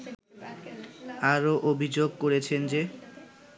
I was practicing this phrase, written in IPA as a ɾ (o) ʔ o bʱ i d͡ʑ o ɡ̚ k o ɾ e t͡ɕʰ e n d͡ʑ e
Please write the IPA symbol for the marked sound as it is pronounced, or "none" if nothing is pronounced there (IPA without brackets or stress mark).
o